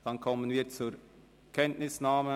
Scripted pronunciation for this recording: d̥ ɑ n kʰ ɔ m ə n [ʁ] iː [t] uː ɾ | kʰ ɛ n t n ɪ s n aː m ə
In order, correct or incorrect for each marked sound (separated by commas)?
incorrect, incorrect